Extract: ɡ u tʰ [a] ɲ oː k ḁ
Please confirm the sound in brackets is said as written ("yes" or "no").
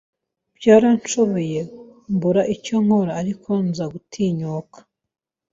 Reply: no